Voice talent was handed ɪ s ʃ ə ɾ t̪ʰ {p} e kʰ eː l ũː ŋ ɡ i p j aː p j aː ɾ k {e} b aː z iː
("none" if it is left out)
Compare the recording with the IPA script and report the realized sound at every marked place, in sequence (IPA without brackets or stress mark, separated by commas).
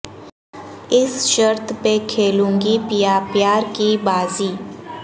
p, i